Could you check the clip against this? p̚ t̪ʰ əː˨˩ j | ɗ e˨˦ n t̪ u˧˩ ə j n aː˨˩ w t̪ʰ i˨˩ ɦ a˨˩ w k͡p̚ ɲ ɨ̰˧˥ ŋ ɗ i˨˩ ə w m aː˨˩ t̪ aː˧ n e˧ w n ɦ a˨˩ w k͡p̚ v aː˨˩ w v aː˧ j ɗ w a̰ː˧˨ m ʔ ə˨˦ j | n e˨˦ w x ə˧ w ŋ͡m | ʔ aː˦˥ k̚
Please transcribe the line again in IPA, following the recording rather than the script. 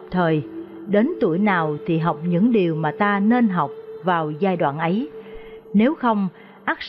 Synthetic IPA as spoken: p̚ t̪ʰ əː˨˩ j | ɗ e˨˦ n t̪ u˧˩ ə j n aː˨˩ w t̪ʰ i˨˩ ɦ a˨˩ w k͡p̚ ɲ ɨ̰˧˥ ŋ ɗ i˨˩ ə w m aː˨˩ t̪ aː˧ n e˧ n ɦ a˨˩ w k͡p̚ v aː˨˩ w z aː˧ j ɗ w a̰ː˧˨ n ʔ ə˨˦ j | n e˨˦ w x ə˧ w ŋ͡m | ʔ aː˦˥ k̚

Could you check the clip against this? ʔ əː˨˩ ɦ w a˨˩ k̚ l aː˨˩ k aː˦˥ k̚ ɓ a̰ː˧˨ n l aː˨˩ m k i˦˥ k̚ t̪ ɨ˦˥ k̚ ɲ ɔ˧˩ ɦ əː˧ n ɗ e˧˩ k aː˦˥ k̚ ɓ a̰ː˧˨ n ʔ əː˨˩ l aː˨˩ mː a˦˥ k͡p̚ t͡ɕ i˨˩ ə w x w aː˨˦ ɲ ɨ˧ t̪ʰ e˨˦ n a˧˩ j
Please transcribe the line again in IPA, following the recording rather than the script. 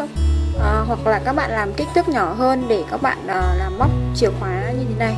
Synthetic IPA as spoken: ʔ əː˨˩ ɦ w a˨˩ k̚ l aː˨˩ k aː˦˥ k̚ ɓ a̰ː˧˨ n l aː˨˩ m k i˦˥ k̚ t̪ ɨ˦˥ k̚ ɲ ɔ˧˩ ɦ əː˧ n ɗ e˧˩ k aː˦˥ k̚ ɓ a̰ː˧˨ n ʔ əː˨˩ l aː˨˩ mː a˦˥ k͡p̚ t͡ɕ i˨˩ ə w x w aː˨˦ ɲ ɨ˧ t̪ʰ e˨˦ n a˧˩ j

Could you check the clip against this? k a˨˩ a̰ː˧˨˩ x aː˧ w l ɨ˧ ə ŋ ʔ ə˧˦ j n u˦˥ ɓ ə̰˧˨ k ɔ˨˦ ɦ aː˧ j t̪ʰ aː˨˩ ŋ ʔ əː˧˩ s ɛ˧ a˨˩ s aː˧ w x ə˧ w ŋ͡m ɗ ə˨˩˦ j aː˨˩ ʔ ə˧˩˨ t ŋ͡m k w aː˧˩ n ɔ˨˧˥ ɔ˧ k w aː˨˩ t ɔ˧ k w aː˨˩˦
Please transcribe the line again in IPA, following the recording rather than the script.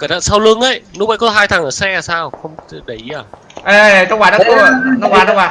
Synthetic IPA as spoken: k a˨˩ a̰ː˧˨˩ s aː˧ w l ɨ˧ ə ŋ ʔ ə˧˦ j n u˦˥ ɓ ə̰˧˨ k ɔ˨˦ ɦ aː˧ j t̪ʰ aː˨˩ ŋ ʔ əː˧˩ s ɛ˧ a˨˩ s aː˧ w x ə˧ w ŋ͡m ɗ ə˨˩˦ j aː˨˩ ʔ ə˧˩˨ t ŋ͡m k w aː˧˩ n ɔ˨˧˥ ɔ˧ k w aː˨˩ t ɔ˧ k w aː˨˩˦

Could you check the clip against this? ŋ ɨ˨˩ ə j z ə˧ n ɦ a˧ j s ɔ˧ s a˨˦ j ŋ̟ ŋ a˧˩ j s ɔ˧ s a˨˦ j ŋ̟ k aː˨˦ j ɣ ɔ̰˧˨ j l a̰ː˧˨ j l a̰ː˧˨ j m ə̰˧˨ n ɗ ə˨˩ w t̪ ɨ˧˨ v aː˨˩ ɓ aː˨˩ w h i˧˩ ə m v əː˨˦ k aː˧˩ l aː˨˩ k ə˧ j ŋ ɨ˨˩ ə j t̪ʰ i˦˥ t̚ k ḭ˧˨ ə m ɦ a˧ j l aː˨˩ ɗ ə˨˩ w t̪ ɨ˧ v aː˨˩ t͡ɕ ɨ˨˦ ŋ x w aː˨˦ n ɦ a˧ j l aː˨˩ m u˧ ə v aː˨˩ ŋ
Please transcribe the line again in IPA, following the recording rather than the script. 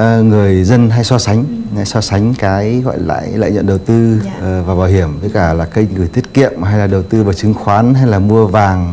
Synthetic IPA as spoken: ŋ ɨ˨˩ ə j z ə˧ n ɦ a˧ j s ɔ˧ s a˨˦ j ŋ̟ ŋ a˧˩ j s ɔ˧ s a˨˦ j ŋ̟ k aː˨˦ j ɣ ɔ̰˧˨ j l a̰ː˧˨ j l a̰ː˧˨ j ɲ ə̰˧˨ n ɗ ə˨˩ w t̪ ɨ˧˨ v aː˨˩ ɓ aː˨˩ w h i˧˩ ə m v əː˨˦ k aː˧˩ l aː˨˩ k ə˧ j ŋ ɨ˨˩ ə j t̪ʰ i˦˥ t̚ k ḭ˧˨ ə m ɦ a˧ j l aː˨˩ ɗ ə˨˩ w t̪ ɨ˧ v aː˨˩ t͡ɕ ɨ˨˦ ŋ x w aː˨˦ n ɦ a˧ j l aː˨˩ m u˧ ə v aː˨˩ ŋ

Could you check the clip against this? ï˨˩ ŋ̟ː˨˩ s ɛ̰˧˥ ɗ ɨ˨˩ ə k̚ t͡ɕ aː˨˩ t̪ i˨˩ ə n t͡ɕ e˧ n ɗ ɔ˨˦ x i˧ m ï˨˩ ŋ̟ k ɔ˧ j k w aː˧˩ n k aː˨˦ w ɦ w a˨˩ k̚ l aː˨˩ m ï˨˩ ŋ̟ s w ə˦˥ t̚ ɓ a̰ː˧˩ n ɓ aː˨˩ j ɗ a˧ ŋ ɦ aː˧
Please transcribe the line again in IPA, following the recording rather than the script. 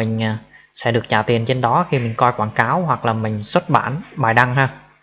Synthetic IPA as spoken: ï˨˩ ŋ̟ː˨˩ s ɛ̰˧˥ ɗ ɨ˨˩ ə k̚ t͡ɕ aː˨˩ t̪ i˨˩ ə n t͡ɕ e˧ n ɗ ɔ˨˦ x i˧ m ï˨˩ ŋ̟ k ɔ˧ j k w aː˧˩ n k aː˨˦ w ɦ w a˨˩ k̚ l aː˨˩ m ï˨˩ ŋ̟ s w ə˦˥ t̚ ɓ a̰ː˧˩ n ɓ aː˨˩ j ɗ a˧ ŋ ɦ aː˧

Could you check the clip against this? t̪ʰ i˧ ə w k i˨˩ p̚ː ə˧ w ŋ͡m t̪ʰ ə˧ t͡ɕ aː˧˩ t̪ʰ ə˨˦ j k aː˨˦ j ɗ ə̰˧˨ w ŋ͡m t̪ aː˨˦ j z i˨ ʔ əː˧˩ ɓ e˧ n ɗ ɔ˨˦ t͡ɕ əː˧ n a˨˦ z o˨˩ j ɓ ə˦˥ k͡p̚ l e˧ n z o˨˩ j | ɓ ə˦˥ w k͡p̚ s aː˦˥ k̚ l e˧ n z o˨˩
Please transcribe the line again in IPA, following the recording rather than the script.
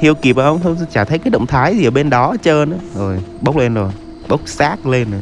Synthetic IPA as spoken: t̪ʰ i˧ ə w k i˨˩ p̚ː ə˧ w ŋ͡m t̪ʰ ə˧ t͡ɕ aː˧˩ t̪ʰ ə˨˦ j k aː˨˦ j ɗ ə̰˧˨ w ŋ͡m t̪ʰ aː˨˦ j z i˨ ʔ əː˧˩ ɓ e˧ n ɗ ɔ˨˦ t͡ɕ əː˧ n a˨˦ z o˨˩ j ɓ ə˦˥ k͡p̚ l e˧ n z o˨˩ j | ɓ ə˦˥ w k͡p̚ s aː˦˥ k̚ l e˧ n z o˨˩

